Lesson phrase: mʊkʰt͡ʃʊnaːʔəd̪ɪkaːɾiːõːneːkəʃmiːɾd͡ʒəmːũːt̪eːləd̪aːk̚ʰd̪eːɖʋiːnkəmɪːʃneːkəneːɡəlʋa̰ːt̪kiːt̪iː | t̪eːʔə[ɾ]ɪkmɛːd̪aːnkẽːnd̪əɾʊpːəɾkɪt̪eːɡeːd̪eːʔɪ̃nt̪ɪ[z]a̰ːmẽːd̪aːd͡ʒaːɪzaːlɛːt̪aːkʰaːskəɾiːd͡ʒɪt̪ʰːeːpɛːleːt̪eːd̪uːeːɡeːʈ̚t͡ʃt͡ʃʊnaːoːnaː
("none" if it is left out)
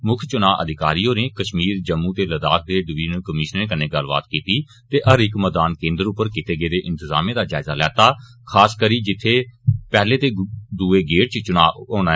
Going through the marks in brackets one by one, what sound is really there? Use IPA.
ɾ, z

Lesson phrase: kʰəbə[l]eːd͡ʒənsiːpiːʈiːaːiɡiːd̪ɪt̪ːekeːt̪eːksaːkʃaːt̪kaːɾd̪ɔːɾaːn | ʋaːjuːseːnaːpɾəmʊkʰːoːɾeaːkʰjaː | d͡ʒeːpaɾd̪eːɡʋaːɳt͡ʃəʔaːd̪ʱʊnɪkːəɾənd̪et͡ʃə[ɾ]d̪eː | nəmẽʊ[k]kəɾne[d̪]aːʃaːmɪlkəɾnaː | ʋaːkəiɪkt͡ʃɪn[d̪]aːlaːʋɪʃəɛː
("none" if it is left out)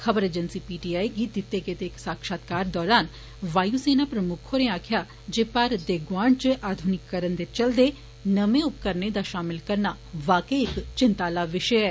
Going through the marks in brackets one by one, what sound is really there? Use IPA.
ɾ, l, p, d̪, t̪

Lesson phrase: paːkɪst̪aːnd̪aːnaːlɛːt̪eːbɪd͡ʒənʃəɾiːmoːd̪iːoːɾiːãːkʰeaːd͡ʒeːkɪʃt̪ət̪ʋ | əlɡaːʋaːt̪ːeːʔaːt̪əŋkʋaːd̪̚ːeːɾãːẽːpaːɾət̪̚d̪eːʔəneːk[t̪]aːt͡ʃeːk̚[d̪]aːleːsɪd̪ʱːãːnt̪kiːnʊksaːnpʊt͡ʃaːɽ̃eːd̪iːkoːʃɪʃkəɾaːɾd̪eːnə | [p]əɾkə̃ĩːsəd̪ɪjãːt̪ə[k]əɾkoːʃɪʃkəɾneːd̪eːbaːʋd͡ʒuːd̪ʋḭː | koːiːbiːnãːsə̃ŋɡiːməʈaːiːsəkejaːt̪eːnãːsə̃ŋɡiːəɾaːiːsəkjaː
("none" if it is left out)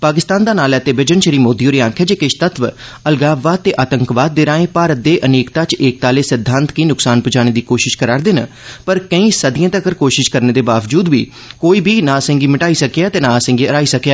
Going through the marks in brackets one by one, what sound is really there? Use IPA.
t̪, t̪, p, k

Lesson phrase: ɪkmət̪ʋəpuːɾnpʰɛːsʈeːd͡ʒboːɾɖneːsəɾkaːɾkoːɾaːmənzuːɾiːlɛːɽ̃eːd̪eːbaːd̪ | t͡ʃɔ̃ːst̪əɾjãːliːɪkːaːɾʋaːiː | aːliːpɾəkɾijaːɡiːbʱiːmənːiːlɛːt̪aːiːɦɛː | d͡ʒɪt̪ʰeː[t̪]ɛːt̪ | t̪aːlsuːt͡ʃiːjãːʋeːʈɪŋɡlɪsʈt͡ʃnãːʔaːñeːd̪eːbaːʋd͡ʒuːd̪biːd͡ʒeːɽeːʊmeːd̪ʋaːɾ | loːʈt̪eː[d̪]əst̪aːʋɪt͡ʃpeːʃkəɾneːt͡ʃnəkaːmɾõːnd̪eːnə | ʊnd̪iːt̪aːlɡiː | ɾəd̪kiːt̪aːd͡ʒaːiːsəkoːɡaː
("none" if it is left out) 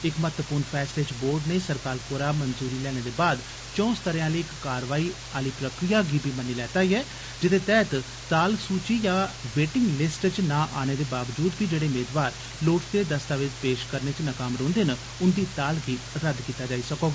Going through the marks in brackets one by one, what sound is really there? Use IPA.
t̪, d̪

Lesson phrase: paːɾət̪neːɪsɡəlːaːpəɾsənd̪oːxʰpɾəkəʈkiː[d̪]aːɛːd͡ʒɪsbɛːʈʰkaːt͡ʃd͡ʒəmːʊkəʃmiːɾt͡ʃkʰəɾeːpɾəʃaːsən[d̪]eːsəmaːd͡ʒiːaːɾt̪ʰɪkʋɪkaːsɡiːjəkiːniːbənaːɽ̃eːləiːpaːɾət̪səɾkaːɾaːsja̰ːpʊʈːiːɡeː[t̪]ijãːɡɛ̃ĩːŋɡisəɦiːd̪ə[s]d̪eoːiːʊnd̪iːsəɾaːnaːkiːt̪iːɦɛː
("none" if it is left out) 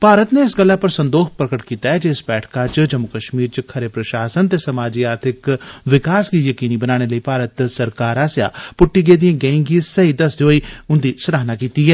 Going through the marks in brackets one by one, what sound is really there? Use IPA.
t̪, t̪, d̪, s

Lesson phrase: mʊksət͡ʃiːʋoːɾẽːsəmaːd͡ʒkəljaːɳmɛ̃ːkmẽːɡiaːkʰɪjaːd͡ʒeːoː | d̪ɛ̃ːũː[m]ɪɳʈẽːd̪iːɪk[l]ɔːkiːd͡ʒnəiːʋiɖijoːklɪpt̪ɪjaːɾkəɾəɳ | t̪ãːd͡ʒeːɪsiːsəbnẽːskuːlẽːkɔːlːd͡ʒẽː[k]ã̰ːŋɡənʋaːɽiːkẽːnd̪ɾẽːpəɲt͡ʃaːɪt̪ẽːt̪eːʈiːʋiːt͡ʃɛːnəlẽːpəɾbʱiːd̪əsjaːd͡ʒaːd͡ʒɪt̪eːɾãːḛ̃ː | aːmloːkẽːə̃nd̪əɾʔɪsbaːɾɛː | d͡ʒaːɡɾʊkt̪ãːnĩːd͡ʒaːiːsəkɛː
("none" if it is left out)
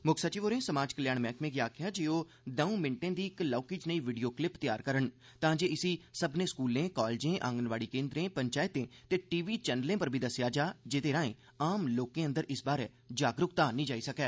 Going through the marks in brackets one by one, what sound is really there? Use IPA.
m, l, ʔ

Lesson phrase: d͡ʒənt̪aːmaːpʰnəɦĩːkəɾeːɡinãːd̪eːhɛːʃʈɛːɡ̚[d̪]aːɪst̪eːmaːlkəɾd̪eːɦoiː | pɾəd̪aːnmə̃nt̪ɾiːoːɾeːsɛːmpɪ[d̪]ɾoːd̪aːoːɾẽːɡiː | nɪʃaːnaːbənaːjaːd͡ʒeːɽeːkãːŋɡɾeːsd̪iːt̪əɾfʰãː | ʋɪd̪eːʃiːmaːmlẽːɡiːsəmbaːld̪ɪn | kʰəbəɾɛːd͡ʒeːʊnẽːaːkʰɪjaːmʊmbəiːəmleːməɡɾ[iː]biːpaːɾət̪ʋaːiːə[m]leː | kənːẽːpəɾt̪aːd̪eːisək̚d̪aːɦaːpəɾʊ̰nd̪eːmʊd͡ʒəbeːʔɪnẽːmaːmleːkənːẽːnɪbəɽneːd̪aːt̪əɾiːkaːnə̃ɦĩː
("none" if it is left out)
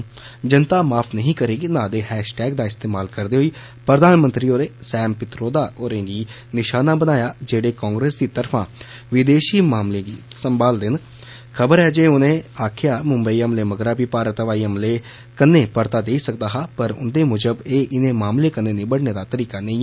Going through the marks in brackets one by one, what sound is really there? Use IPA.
d̪, t̪, aː, m

